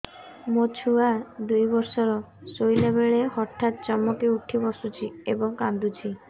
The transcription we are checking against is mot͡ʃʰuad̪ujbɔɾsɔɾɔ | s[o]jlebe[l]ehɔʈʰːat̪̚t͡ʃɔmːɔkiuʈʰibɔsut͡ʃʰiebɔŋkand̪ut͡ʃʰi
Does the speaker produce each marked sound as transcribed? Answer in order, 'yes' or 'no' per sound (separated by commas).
yes, no